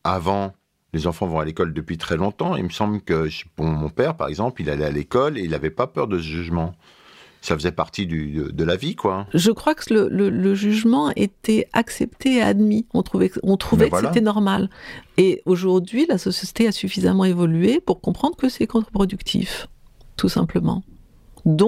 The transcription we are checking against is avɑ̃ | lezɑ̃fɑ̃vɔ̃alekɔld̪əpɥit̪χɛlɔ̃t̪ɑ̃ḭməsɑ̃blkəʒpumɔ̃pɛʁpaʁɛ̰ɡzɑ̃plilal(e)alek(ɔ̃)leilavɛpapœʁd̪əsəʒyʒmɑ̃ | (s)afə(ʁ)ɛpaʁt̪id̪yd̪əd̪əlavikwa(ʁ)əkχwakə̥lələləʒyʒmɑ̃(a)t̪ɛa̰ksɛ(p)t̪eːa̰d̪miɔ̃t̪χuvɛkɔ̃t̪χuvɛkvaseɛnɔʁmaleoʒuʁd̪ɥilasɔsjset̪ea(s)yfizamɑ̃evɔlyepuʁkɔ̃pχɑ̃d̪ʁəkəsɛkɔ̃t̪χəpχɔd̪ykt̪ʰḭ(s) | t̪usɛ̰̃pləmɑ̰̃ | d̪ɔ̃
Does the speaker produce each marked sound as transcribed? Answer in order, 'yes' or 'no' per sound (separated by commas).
no, no, yes, no, no, no, yes, yes, no